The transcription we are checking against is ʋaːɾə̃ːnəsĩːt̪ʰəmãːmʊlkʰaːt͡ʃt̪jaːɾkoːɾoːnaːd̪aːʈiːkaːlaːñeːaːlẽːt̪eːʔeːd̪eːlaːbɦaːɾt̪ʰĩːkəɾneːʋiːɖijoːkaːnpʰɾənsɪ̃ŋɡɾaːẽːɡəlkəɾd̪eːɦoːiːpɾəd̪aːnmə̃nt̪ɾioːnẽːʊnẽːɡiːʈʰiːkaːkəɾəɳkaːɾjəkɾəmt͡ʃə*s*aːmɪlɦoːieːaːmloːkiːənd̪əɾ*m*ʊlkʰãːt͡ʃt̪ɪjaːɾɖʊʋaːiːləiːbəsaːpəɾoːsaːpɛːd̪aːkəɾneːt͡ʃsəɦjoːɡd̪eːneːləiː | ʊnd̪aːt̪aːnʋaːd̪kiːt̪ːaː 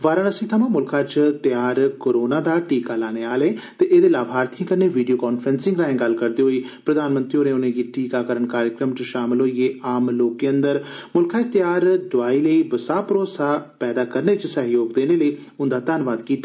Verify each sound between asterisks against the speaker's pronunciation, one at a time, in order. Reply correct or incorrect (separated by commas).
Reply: incorrect, correct